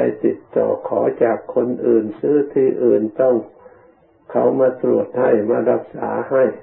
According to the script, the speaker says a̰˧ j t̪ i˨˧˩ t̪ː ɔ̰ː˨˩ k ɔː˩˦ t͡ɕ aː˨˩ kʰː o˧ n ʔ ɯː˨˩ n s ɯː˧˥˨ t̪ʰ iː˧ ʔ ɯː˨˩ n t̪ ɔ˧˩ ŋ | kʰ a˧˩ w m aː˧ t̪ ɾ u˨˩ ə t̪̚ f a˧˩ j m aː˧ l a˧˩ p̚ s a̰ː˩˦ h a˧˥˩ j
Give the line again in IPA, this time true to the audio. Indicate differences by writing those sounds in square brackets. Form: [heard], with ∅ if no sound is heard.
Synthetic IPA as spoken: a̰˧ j t̪ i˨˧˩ t̪ː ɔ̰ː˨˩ [kʰ] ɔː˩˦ t͡ɕ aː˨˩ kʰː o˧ n ʔ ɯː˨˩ n s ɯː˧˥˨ t̪ʰ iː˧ ʔ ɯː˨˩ n t̪ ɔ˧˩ ŋ | kʰ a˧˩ w m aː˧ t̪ ɾ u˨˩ ə t̪̚ [h] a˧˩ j m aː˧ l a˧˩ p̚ s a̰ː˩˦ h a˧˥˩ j